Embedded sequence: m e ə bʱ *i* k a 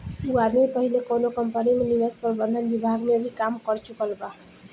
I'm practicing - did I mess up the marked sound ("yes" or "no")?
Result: no